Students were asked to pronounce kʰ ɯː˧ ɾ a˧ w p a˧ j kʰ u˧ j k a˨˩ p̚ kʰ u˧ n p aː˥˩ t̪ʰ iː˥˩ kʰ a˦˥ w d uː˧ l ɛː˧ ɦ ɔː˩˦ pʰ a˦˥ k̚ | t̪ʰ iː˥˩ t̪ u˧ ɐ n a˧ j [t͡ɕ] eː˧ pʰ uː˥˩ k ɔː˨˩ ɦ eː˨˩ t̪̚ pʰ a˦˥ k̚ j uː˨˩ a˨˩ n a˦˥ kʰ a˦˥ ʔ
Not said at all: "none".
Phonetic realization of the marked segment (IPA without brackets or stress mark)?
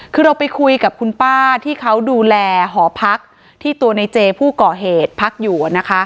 t͡ɕ